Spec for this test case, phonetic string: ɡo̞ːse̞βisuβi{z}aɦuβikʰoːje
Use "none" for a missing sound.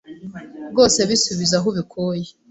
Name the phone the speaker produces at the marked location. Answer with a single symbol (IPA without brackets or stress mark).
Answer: z